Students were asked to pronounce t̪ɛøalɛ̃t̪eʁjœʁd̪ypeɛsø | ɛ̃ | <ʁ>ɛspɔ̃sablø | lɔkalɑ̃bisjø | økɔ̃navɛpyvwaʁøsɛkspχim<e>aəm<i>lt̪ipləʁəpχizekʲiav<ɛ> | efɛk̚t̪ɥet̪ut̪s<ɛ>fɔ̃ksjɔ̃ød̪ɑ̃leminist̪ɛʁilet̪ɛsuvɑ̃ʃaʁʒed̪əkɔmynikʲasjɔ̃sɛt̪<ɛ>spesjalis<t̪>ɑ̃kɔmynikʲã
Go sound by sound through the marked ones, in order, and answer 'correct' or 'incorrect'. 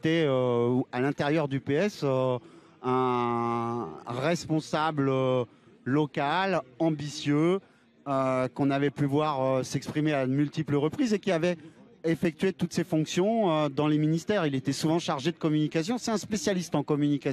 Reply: correct, correct, incorrect: y, correct, incorrect: e, incorrect: ɛ̃, correct

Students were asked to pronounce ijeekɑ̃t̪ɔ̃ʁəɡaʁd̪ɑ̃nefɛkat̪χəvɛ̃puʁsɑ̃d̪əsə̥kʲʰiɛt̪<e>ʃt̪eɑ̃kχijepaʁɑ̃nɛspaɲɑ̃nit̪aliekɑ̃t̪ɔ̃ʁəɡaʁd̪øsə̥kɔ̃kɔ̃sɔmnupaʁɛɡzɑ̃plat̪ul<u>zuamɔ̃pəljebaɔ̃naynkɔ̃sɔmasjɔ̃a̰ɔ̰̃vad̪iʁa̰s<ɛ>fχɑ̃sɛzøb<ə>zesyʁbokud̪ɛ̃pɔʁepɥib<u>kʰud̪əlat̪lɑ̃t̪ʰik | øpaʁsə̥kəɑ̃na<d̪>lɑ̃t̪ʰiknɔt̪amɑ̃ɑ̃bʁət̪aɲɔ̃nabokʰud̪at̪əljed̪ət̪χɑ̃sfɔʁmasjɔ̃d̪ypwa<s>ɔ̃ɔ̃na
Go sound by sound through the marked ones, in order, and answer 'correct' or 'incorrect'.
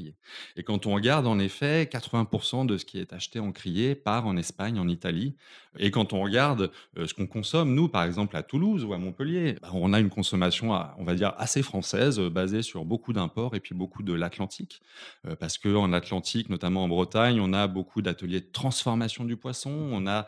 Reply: incorrect: a, correct, incorrect: e, incorrect: a, incorrect: o, incorrect: t̪, correct

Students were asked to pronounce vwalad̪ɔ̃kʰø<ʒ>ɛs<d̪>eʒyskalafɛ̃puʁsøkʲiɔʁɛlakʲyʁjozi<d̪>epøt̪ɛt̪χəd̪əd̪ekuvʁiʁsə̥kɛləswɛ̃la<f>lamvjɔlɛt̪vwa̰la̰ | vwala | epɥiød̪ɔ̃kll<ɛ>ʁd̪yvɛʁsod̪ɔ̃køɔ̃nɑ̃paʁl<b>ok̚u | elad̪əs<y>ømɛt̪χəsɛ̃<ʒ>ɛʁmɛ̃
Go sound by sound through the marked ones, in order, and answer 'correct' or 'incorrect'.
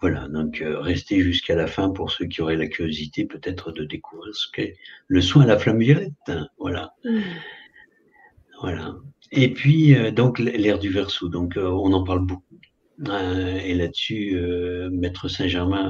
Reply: incorrect: ʁ, incorrect: t̪, incorrect: t̪, correct, correct, correct, correct, correct

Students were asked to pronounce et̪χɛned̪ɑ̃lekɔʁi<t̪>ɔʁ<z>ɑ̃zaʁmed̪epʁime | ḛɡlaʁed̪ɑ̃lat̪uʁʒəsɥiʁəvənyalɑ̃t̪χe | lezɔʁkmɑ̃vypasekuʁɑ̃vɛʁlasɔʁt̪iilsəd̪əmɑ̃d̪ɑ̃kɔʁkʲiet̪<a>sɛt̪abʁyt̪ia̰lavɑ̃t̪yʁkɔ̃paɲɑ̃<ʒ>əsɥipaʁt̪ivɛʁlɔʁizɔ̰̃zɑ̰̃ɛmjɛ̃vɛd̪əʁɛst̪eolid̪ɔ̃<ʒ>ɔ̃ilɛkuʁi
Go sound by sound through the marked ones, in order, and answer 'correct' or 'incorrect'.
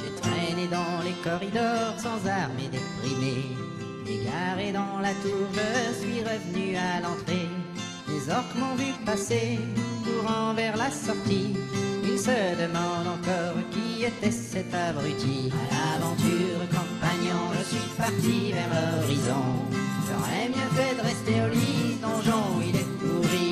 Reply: incorrect: d̪, incorrect: s, incorrect: ɛ, correct, correct

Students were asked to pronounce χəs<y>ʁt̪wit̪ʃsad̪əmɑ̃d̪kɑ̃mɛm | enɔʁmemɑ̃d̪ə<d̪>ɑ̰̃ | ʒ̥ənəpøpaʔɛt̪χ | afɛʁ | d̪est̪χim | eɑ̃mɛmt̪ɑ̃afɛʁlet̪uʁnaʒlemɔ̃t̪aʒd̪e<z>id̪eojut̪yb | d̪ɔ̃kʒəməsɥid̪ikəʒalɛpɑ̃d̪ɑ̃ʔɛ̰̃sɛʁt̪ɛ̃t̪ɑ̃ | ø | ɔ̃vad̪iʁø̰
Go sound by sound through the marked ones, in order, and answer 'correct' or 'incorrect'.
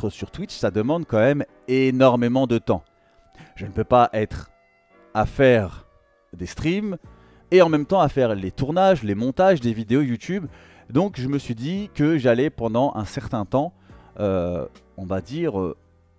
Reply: correct, incorrect: t̪, incorrect: v

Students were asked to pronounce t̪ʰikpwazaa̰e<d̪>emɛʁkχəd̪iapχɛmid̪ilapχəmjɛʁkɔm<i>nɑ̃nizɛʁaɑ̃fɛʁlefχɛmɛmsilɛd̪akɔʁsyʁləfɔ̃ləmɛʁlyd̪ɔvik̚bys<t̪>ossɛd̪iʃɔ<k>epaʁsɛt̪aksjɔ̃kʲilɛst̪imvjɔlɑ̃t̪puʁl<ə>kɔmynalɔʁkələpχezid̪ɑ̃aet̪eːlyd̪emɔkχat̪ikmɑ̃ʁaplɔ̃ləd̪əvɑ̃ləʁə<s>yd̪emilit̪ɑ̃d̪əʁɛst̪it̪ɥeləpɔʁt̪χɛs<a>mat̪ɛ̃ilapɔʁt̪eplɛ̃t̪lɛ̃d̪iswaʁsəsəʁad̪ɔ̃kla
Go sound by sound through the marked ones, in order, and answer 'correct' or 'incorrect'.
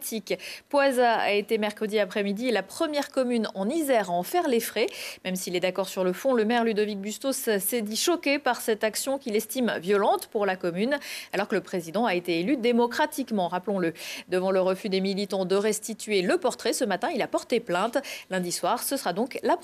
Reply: incorrect: t̪, incorrect: y, correct, correct, incorrect: a, incorrect: f, incorrect: ə

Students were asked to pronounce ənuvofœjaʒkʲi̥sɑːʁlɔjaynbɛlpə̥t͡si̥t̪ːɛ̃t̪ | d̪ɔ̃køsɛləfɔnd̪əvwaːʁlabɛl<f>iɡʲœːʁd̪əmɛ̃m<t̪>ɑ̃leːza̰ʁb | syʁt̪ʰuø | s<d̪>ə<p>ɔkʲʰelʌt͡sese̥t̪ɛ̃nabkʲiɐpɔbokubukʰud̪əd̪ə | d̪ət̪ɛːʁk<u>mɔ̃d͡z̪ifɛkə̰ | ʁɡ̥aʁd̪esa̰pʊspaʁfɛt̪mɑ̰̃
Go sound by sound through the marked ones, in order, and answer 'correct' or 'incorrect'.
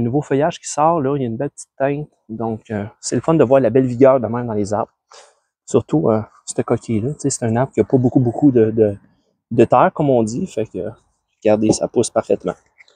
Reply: incorrect: v, incorrect: d̪, incorrect: t̪, incorrect: k, incorrect: ɔ

